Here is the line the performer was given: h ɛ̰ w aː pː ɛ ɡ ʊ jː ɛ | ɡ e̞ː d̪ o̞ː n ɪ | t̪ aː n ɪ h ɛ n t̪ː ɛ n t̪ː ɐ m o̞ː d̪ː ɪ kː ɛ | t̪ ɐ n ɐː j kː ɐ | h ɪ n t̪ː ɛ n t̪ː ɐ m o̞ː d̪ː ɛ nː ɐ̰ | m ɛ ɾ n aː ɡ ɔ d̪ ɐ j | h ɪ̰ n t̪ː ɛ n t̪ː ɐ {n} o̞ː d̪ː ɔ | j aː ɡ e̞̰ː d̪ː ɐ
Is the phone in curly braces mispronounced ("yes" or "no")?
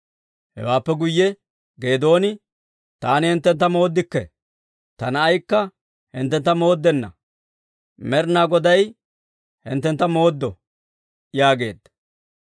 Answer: yes